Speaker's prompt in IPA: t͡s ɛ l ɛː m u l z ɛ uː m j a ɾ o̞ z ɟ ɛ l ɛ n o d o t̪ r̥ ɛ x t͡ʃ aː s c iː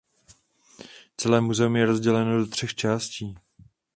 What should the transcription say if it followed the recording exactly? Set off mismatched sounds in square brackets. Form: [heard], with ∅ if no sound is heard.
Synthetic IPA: t͡s ɛ l ɛː m u [∅] z ɛ [u] m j [ɛ] ɾ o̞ z ɟ ɛ l ɛ n o d o t̪ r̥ ɛ x t͡ʃ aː s c iː